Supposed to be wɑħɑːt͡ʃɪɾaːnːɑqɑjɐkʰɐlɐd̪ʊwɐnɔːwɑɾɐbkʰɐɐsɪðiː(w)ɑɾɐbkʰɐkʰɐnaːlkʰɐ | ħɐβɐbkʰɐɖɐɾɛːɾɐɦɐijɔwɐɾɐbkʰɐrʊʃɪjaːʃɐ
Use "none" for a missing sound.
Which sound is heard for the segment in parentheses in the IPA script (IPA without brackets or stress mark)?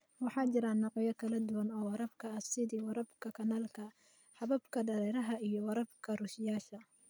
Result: w